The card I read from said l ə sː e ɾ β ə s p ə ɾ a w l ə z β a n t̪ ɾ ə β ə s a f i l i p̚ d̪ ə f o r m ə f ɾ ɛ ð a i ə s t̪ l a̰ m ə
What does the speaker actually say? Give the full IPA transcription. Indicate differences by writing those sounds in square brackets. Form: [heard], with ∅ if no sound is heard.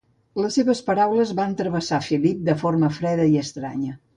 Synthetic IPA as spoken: l ə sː e [∅] β ə s p ə ɾ a w l ə z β a n t̪ ɾ ə β ə s a f i l i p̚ d̪ ə f o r m ə f ɾ ɛ ð [ə] i ə s t̪ [ɾ] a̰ [ɲ] ə